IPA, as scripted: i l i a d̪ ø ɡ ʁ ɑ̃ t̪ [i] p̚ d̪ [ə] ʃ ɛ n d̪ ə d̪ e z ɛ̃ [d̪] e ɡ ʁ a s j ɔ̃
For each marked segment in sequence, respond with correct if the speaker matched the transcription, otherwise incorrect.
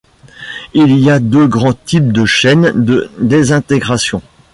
correct, correct, incorrect: t̪

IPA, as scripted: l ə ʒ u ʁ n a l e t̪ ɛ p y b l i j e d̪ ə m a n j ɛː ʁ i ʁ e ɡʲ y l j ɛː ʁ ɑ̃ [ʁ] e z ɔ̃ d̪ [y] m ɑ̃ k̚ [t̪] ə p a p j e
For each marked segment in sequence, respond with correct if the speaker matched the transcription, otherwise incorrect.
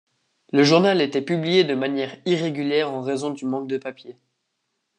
correct, correct, incorrect: d̪

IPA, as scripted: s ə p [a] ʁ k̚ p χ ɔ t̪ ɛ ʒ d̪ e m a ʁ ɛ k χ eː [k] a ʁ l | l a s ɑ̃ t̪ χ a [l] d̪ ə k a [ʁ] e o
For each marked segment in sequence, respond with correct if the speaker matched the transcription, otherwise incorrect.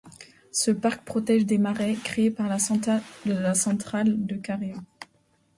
correct, incorrect: p, correct, correct

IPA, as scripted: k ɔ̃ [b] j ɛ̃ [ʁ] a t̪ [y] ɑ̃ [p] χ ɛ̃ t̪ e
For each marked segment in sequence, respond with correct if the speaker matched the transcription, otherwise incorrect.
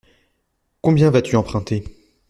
correct, incorrect: v, correct, correct

